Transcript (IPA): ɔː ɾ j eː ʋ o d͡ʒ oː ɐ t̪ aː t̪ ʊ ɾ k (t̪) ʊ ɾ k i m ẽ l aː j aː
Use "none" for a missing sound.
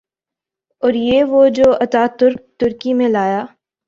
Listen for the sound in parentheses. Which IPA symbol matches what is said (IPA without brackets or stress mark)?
t̪